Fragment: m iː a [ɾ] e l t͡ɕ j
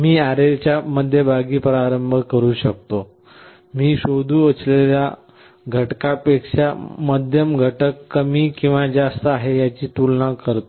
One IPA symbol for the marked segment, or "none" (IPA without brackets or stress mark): ɾ